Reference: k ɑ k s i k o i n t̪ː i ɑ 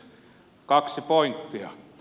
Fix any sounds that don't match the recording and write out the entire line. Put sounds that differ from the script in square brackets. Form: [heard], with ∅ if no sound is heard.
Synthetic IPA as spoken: k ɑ k s i [p] o i n t̪ː i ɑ